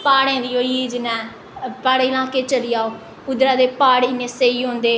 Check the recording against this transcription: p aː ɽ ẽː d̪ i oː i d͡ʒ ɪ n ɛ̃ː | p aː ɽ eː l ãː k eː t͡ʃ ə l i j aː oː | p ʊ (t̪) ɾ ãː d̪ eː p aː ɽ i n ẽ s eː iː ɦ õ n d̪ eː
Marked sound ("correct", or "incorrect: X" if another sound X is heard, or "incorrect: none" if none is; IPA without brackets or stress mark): incorrect: d̪